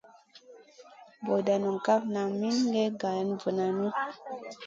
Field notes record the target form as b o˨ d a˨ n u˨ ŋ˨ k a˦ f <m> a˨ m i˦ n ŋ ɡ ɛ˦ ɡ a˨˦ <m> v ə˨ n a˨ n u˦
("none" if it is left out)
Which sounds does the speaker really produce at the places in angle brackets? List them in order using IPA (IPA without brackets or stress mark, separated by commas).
n, n